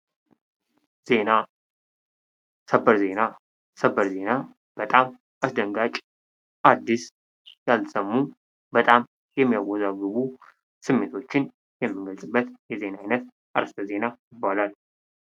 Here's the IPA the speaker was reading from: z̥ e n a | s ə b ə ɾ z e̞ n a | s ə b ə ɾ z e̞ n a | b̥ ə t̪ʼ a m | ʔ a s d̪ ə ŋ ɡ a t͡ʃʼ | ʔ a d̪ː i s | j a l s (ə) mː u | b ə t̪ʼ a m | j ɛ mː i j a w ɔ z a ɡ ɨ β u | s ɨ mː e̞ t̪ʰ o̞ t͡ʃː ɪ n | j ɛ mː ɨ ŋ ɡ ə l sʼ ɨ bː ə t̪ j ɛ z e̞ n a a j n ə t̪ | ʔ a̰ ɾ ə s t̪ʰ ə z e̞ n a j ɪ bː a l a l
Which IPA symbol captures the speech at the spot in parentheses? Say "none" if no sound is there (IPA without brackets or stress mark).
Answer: ə